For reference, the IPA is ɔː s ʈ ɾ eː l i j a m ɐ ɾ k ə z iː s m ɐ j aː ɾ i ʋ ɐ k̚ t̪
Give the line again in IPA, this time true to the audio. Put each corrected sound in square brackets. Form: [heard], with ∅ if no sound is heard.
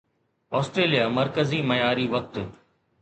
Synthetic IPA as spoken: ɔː s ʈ ɾ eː l i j a m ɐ ɾ k ə z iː [∅] m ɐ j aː ɾ i ʋ ɐ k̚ t̪